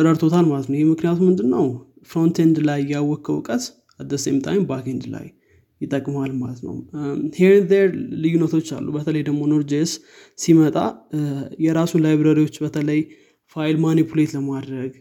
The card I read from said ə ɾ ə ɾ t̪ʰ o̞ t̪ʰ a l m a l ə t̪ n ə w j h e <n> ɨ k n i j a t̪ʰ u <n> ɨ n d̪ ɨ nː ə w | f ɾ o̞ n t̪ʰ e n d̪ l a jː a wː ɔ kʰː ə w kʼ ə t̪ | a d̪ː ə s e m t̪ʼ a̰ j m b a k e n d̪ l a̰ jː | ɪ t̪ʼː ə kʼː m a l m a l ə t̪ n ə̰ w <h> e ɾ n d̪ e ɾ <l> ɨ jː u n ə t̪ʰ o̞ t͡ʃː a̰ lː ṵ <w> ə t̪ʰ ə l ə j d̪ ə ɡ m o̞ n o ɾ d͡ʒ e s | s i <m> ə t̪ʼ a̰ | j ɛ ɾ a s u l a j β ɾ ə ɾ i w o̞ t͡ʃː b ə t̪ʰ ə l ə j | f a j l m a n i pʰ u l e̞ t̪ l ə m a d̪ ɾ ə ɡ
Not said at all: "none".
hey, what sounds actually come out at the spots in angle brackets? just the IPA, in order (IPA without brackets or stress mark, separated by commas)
m, m, h, l, b, m